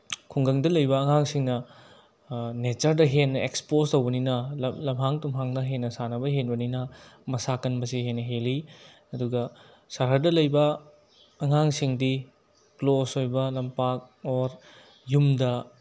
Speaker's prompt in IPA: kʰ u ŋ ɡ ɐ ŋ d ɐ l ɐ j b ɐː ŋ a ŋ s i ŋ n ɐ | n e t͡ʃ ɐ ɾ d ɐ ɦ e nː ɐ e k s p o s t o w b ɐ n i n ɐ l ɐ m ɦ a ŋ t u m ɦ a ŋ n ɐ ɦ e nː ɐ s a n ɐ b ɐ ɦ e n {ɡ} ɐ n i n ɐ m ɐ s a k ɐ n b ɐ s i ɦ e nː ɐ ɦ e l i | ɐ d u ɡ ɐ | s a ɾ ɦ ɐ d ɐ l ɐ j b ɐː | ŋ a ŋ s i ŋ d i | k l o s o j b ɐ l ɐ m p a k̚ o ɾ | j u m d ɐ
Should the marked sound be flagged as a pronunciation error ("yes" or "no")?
yes